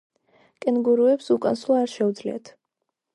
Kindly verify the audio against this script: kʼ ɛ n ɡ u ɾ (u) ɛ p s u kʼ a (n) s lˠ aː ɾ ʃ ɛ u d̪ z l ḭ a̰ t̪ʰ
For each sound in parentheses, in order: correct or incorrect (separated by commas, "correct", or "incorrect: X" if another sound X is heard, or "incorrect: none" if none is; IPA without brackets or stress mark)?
correct, correct